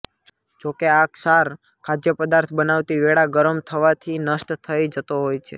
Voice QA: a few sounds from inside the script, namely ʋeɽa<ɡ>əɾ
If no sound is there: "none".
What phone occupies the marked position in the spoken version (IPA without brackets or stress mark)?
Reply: ɡ